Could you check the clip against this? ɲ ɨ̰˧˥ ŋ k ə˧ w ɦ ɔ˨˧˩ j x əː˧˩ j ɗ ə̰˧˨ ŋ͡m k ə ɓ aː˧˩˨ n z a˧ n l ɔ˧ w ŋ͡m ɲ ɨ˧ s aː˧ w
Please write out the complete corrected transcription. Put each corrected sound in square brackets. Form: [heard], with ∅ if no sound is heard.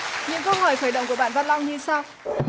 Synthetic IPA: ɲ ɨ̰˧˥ ŋ k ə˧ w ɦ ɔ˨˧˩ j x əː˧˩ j ɗ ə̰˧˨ ŋ͡m k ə ɓ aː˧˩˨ n [v] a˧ n l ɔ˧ w ŋ͡m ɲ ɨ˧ s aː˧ w